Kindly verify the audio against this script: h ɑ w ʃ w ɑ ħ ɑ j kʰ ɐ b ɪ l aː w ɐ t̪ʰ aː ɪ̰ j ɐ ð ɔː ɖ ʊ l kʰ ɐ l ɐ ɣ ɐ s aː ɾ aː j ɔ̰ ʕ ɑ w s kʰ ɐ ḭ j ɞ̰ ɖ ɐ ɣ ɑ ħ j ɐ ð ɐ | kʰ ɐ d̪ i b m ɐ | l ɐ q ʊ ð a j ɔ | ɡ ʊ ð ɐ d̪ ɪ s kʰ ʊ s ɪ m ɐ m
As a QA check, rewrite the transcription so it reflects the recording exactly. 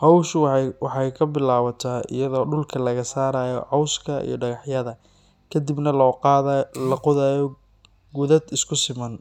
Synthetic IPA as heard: h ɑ w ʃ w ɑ ħ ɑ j kʰ ɐ b ɪ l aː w ɐ t̪ʰ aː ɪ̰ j ɐ ð ɔː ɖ ʊ l kʰ ɐ l ɐ ɣ ɐ s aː ɾ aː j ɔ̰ ʕ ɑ w s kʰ ɐ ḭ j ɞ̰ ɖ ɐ ɣ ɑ ħ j ɐ ð ɐ | kʰ ɐ d̪ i b n ɐ | l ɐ q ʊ ð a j ɔ | ɡ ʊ ð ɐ d̪ ɪ s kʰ ʊ s ɪ m ɐ n